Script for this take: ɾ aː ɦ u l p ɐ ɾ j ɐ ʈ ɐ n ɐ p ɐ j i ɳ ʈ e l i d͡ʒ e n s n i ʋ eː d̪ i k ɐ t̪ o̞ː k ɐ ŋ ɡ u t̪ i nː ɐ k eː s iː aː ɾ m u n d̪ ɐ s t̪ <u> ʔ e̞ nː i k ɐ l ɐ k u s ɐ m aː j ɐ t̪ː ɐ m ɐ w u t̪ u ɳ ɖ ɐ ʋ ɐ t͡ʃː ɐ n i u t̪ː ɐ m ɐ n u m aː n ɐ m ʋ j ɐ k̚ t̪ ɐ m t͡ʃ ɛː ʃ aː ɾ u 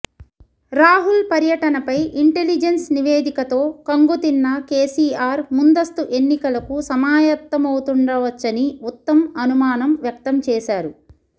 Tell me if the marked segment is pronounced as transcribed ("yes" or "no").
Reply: yes